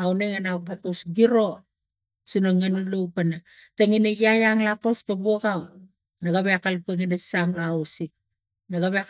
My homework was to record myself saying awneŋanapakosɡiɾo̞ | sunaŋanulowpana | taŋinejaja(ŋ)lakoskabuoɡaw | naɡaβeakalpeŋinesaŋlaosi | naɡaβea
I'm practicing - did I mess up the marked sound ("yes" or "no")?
no